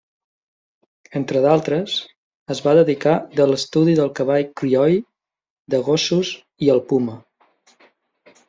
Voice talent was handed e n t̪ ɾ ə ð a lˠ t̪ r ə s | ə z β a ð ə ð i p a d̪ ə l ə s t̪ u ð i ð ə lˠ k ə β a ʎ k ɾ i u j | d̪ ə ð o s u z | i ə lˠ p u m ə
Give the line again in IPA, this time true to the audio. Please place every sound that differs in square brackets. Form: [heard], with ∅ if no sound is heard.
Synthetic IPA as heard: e n t̪ ɾ ə ð a lˠ t̪ [ɾ] ə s | ə z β a ð ə ð i [k] a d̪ ə l ə s t̪ u ð i ð ə lˠ k ə β a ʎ k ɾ i [ɔ] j | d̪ ə [ɣ] o s u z | i ə lˠ p u m ə